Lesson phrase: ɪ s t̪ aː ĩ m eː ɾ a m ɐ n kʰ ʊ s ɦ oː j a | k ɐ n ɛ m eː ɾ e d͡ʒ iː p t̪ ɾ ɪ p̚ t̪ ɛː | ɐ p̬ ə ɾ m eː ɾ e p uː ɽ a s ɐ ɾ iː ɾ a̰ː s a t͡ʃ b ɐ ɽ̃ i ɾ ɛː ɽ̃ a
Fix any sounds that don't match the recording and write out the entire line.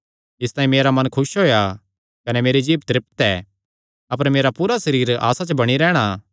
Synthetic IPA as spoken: ɪ s t̪ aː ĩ m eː ɾ a m ɐ n kʰ ʊ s ɦ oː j a | k ɐ n ɛ m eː ɾ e d͡ʒ iː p t̪ ɾ ɪ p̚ t̪ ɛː | ɐ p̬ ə ɾ m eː ɾ a p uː ɾ a s ɐ ɾ iː ɾ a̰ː s a t͡ʃ b ɐ ɽ̃ i ɾ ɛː ɽ̃ a